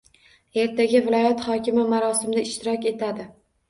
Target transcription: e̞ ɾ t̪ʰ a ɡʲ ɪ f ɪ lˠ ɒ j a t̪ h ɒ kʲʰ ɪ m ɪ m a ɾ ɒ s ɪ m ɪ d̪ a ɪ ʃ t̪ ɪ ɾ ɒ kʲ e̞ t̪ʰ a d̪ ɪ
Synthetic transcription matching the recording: e̞ ɾ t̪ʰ a ɡʲ ɪ v ɪ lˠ ɒ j a t̪ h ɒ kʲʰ ɪ m ɪ m a ɾ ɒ s ɪ m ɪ d̪ a ɪ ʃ t̪ ɪ ɾ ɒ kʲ e̞ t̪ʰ a d̪ ɪ

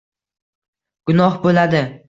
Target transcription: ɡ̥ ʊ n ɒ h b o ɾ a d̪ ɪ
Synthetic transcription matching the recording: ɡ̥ ʊ n ɒ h b o l a d̪ ɪ

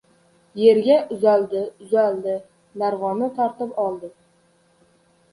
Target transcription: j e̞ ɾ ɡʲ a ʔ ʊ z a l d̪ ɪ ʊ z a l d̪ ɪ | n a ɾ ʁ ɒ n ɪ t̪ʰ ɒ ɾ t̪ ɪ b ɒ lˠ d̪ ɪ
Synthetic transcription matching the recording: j e̞ ɾ ɡʲ a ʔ ʊ z a l d̪ ɪ ʊ z a l d̪ ɪ | n a ɾ ʁ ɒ n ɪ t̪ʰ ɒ ɾ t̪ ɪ p ɒ lˠ d̪ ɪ

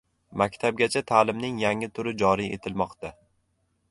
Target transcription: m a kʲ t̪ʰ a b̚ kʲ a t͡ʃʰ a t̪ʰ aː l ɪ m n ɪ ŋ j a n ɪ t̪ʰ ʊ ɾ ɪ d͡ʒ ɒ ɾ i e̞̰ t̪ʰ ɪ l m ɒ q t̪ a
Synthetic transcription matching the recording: m a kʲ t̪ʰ a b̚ ɡʲ a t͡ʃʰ a t̪ʰ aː l ɪ m n ɪ ŋ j a ŋ ɪ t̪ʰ ʊ ɾ ɪ d͡ʒ ɒ ɾ i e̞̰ t̪ʰ ɪ l m ɒ q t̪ a

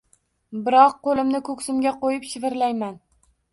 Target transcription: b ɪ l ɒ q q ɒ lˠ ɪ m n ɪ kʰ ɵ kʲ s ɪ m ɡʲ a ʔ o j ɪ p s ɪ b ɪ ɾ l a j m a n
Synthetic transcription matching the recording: b ɪ ɾ ɒ q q o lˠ ɪ m n ɪ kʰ ɵ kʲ s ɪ m ɡʲ a q o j ɪ p ʃ ɪ v ɪ ɾ l a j m a n

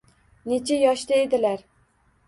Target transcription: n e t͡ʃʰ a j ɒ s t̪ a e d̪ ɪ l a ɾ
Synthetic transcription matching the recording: n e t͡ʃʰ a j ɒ ʃ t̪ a e d̪ ɪ l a ɾ

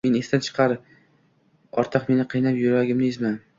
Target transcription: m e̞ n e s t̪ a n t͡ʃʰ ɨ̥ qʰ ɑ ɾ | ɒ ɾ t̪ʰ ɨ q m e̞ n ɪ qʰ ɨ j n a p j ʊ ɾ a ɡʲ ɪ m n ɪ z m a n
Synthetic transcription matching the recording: m e̞ n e s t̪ a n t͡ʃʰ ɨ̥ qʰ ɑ ɾ | ɒ ɾ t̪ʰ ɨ q m e̞ n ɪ qʰ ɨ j n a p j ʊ ɾ a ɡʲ ɪ m n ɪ z m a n

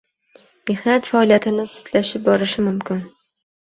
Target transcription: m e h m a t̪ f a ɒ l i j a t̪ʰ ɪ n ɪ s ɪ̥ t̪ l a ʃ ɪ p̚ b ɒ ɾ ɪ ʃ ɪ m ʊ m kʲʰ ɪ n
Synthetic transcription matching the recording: m e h n a t̪ f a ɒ l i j a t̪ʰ ɪ n ɪ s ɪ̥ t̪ l a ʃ ɪ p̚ b ɒ ɾ ɪ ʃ ɪ m ʊ m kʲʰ ɪ n

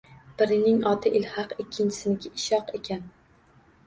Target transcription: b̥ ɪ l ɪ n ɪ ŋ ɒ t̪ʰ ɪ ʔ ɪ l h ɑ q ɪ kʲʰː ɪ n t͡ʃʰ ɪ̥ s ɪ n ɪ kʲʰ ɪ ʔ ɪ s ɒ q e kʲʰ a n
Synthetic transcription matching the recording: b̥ ɪ ɾ ɪ n ɪ ŋ ɒ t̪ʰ ɪ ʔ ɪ l h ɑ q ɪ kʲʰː ɪ n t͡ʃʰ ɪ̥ s ɪ n ɪ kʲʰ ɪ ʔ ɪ ʃ ɒ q e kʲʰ a n

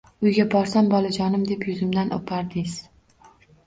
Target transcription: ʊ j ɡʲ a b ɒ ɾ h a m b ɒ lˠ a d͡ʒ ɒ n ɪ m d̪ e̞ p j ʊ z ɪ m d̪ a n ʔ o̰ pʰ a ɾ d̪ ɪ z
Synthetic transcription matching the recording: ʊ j ɡʲ a b ɒ ɾ s a m b ɒ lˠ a d͡ʒ ɒ n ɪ m d̪ e̞ p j ʊ z ɪ m d̪ a n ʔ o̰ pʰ a ɾ d̪ ɪ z

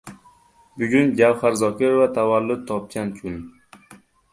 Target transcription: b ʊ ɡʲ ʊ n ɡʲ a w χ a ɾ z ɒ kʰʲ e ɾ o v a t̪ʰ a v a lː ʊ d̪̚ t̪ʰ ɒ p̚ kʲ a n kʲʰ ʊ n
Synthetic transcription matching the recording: b ʊ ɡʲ ʊ n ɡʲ a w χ a ɾ z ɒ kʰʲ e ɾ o v a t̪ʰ a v a lː ʊ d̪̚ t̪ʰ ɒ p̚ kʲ a n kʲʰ ʊ n

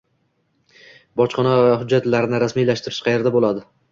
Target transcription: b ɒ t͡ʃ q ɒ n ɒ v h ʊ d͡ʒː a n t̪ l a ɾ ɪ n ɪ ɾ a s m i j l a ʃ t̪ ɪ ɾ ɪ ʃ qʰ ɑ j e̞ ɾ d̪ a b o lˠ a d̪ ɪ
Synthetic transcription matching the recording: b ɒ t͡ʃ q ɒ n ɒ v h ʊ d͡ʒː a t̪ l a ɾ ɪ n ɪ ɾ a s m i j l a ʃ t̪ ɪ ɾ ɪ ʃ qʰ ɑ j e̞ ɾ d̪ a b o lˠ a d̪ ɪ

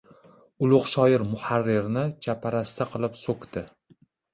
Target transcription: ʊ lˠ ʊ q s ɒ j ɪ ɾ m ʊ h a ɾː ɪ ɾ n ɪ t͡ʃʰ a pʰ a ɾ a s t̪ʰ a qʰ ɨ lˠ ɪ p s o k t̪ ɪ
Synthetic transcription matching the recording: ʊ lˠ ʊ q ʃ ɒ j ɪ ɾ m ʊ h a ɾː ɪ ɾ n ɪ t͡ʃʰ a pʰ a ɾ a s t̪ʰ a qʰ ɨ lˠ ɪ p s o k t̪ ɪ

